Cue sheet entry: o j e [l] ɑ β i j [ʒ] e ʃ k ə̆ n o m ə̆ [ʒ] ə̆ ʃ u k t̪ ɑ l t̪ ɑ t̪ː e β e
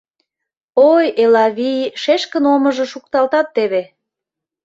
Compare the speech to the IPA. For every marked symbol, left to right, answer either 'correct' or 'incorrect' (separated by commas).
correct, incorrect, correct